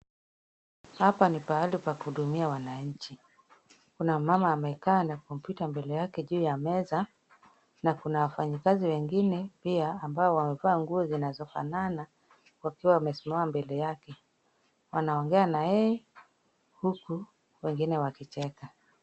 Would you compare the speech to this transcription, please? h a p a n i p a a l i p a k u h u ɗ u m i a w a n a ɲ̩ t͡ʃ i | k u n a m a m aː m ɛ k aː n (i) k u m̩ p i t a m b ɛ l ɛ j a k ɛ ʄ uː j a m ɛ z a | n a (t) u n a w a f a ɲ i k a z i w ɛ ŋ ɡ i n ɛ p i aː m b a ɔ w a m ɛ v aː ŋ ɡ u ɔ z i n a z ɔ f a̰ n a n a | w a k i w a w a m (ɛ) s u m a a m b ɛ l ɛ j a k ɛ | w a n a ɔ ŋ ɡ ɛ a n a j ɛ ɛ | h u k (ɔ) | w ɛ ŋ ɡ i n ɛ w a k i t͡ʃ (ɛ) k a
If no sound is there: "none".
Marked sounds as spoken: a, k, ɛ, u, ɛ

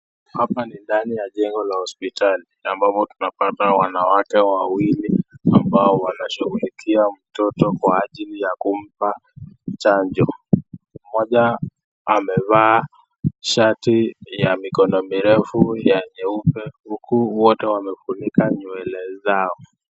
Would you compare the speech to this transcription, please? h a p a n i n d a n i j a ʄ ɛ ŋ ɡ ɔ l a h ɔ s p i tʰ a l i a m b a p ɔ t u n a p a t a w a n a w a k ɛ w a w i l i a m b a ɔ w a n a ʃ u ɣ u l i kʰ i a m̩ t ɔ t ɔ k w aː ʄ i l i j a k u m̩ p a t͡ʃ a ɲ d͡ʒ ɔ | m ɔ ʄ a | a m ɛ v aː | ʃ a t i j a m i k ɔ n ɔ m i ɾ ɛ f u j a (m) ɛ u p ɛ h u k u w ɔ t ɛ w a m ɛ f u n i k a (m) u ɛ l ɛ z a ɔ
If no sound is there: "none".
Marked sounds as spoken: ɲ, ɲ

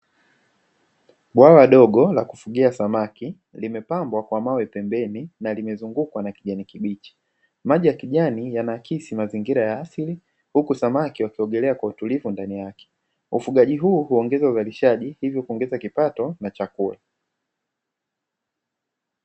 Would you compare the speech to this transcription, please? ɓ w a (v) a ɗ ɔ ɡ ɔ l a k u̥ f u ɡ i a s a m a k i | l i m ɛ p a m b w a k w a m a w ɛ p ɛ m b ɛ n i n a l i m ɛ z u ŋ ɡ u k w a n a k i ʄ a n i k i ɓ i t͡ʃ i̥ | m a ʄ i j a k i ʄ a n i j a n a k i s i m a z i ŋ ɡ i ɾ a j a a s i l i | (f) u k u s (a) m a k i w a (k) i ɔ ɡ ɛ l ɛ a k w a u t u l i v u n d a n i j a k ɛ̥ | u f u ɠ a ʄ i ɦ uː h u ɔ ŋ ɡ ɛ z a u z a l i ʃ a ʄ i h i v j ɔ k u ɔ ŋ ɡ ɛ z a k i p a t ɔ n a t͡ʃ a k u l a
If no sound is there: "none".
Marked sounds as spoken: w, h, a, k

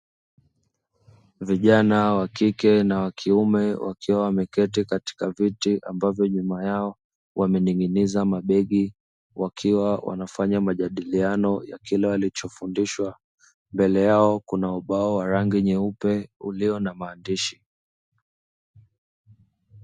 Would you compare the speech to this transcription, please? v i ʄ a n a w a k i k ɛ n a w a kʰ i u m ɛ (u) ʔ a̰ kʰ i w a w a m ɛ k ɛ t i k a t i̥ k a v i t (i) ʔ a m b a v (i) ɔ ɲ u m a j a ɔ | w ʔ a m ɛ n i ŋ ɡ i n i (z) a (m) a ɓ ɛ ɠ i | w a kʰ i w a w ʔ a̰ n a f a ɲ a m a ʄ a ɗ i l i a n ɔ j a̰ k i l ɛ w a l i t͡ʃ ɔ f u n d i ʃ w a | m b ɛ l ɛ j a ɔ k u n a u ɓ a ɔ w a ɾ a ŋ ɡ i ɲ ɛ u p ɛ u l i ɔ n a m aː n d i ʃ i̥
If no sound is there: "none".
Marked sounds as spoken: w, i, j, z, m

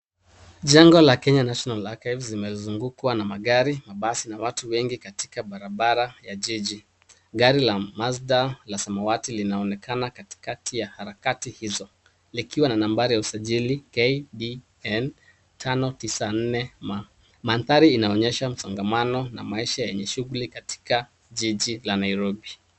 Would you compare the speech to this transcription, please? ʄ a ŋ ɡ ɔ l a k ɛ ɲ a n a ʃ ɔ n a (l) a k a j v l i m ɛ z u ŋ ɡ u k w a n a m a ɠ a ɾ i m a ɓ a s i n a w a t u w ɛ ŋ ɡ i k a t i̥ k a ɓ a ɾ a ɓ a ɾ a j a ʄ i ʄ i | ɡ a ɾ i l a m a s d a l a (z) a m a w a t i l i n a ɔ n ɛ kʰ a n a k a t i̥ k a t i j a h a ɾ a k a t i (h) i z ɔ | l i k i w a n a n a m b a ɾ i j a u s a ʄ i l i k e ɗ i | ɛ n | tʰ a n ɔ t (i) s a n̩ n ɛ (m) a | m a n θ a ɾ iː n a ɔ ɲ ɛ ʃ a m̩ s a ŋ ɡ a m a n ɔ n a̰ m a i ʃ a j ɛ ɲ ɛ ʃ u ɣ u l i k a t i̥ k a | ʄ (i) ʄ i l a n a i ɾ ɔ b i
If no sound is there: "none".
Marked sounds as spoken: l, s, h, i, m, i

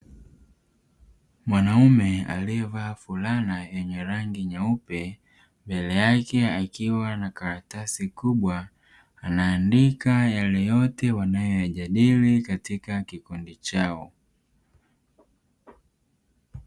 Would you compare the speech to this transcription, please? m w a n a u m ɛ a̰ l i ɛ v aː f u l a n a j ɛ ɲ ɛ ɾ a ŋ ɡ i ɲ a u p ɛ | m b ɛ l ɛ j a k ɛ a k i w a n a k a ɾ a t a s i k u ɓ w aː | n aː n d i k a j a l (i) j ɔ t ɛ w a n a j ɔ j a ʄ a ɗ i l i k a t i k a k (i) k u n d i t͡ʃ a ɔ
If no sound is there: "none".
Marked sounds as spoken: ɛ, i

